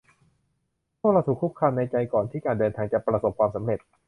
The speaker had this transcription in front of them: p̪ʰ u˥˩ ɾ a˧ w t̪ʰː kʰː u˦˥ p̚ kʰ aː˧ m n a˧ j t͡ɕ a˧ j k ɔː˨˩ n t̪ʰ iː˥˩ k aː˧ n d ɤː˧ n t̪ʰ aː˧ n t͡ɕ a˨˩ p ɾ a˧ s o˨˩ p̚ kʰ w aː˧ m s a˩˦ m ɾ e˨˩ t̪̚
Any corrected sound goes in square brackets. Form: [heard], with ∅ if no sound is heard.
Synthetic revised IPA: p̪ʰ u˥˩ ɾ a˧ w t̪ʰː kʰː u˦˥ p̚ kʰ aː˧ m n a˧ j t͡ɕ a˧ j k ɔː˨˩ n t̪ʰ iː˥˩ k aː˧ n d ɤː˧ n t̪ʰ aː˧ [ŋ] t͡ɕ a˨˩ p ɾ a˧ s o˨˩ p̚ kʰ w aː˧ m s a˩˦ m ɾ e˨˩ t̪̚

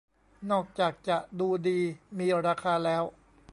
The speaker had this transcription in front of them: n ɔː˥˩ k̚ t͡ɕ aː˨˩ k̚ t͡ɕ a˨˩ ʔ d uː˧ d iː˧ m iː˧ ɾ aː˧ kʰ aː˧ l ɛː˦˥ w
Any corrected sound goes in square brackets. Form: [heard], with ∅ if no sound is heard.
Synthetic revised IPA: n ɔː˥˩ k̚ t͡ɕ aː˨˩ k̚ t͡ɕ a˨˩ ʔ d uː˧ d iː˧ m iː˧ ɾ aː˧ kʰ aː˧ l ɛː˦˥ w

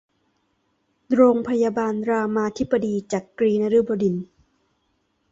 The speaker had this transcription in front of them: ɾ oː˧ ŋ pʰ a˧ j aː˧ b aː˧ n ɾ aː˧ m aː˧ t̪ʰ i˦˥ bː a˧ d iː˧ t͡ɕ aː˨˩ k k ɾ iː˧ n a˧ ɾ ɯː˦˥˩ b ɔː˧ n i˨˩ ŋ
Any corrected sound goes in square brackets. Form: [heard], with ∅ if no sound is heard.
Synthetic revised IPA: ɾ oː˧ ŋ pʰ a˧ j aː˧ b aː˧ n ɾ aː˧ m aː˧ t̪ʰ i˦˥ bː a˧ d iː˧ t͡ɕ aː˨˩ k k ɾ iː˧ n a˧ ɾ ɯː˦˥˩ b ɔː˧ [d] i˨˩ [n]

